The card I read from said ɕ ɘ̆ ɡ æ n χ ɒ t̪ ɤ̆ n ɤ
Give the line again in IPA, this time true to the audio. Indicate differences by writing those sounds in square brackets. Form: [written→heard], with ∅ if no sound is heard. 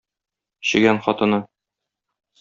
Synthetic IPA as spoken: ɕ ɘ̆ ɡ æ n χ ɒ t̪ ɤ̆ n ɤ